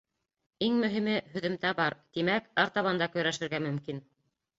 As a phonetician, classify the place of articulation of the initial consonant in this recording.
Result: velar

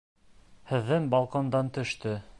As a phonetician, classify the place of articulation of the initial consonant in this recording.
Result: glottal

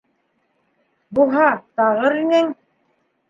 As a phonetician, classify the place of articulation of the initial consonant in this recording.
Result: labial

